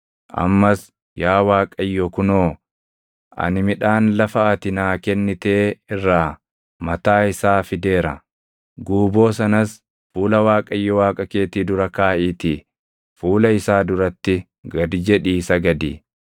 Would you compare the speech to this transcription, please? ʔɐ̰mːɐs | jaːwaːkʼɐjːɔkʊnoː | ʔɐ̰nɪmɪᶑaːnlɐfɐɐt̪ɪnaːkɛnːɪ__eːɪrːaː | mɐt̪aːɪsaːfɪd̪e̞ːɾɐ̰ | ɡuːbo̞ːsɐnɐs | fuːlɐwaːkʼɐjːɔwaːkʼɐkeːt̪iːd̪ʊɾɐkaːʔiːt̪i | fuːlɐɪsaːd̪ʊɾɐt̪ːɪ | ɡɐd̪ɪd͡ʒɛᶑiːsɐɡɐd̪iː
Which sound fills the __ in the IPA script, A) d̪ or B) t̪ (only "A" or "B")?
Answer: B